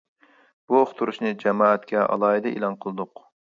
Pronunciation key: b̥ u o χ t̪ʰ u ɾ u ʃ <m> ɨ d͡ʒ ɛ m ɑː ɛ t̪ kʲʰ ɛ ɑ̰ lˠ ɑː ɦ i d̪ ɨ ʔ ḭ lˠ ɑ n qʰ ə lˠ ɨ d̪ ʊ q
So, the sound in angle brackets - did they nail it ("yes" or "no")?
no